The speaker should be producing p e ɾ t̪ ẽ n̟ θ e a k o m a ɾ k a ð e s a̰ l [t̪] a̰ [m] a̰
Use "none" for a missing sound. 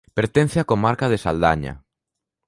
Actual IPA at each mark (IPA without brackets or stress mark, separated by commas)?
d̪, ɲ